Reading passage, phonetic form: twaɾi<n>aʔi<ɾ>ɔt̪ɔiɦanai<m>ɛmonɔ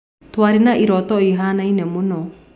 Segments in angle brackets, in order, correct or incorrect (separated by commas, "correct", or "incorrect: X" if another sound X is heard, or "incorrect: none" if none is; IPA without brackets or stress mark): correct, correct, incorrect: n